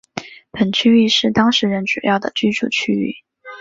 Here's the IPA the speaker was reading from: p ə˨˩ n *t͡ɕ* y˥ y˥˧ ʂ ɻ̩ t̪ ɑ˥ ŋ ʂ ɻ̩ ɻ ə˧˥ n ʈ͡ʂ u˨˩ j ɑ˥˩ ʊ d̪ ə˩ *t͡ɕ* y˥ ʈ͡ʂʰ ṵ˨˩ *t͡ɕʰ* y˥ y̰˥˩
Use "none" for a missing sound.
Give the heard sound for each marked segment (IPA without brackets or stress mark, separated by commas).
t͡ɕʰ, t͡ɕ, t͡ɕʰ